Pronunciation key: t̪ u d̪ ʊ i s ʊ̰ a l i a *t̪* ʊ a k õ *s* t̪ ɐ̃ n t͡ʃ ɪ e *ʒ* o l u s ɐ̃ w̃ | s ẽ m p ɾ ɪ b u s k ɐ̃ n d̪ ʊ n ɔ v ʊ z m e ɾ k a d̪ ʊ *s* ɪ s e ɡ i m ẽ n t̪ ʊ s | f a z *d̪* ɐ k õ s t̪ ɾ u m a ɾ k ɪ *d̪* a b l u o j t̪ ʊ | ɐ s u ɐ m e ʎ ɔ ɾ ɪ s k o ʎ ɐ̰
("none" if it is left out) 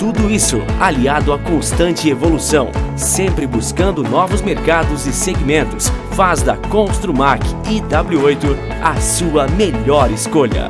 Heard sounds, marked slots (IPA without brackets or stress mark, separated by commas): d̪, s, v, z, d̪, d̪